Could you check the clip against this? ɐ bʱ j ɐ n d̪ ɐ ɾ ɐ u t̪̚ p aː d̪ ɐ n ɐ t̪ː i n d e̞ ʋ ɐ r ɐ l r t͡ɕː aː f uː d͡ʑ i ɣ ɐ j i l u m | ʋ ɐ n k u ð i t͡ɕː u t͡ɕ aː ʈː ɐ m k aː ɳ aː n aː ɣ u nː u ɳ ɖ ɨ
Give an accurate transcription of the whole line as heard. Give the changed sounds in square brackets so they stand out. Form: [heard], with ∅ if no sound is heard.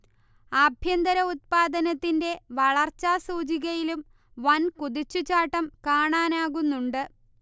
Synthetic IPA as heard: ɐ bʱ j ɐ n d̪ ɐ ɾ ɐ u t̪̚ p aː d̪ ɐ n ɐ t̪ː i n d e̞ ʋ ɐ [ɭ] ɐ [∅] r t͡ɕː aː [s] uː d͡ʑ i ɣ ɐ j i l u m | ʋ ɐ n k u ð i t͡ɕː u t͡ɕ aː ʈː ɐ m k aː ɳ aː n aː ɣ u nː u ɳ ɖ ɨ